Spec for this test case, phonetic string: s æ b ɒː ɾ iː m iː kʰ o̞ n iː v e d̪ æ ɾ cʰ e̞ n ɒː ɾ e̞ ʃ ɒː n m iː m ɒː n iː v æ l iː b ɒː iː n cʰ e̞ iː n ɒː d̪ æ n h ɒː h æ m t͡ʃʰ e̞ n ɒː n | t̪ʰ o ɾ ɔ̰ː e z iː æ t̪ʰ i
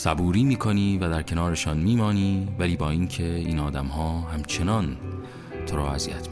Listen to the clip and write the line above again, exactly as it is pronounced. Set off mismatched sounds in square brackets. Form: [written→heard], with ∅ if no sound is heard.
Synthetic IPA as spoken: s æ b [ɒː→uː] ɾ iː m iː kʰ o̞ n iː v [e→æ] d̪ æ ɾ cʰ e̞ n ɒː ɾ e̞ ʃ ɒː n m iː m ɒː n iː v æ l iː b ɒː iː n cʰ e̞ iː n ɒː d̪ æ [n→m] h ɒː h æ m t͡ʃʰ e̞ n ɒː n | t̪ʰ o ɾ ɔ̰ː [e→æ] z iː æ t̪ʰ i